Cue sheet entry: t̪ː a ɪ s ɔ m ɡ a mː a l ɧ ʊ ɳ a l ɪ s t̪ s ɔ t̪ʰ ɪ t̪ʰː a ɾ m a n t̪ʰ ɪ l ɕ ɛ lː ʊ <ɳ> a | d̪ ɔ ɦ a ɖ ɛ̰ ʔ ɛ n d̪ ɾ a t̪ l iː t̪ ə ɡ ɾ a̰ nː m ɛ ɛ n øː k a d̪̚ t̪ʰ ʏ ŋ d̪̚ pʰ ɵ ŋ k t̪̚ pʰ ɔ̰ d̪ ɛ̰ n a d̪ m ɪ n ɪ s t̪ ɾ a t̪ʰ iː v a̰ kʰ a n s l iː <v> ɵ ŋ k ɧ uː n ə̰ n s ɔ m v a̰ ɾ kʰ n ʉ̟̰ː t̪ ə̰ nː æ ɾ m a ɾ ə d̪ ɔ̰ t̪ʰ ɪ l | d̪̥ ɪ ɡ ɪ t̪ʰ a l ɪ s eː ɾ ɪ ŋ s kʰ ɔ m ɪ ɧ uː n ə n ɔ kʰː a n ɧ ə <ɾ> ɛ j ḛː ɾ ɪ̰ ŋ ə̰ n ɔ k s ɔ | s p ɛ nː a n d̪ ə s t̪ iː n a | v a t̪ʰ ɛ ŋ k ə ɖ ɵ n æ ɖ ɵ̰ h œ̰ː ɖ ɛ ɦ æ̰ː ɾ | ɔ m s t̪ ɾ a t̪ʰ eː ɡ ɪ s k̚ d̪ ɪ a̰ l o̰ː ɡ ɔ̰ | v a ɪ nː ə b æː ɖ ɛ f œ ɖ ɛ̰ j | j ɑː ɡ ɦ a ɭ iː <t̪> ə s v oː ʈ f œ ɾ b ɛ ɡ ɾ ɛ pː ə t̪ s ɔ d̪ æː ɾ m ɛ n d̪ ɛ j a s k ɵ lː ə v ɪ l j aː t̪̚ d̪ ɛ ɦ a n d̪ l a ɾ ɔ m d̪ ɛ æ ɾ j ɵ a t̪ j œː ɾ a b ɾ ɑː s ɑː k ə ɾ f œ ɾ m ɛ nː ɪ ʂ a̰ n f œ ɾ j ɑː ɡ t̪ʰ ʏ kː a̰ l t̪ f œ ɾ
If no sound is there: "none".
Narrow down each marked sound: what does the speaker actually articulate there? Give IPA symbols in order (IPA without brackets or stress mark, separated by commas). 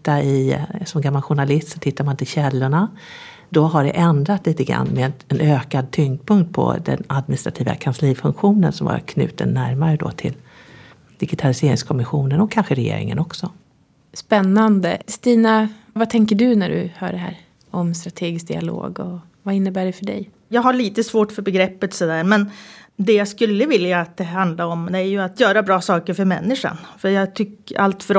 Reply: ɳ, f, ɾ, t̪